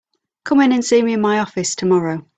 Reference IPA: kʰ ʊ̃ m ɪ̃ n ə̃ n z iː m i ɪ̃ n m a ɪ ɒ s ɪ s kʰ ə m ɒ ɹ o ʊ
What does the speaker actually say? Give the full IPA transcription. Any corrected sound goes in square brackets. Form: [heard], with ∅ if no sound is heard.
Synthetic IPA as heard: kʰ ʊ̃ m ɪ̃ n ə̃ n [s] iː m i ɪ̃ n m a ɪ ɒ [f] ɪ s [tʰ] ə m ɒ ɹ o ʊ